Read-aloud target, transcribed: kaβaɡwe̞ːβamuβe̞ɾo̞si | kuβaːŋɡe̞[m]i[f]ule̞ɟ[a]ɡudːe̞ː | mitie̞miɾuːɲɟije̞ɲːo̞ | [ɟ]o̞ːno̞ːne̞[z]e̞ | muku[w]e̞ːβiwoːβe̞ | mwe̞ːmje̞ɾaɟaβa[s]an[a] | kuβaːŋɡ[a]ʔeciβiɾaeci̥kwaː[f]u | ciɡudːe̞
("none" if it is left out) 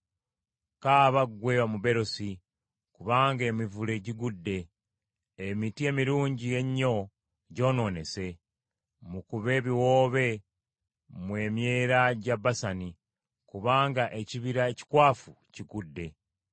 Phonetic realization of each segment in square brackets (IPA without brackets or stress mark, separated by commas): m, v, i, ɟ, s, β, s, i, a, f